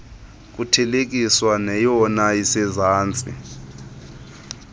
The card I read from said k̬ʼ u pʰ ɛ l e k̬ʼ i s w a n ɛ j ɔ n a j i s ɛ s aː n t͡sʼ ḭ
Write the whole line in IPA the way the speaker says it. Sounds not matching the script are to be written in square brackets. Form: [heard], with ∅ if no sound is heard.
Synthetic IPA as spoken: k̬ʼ u [tʰ] ɛ l e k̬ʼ i s w a n ɛ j ɔ n a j i s ɛ [z] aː n t͡sʼ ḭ